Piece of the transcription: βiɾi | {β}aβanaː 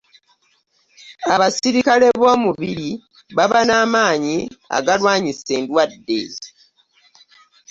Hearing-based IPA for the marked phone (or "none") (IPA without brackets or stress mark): β